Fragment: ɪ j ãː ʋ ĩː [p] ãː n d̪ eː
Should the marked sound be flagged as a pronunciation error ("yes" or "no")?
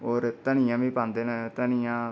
no